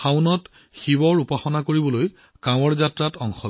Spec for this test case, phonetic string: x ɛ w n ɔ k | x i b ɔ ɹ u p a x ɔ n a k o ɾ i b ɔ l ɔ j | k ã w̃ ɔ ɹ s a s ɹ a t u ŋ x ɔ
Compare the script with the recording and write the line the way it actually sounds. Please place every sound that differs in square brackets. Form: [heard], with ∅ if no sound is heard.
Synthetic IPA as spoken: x [a] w n ɔ [t] | x i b ɔ ɹ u p a x ɔ n a k o [ɹ] i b ɔ l [o] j | k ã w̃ ɔ ɹ [z] a [t] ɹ a t [ɔ] ŋ x ɔ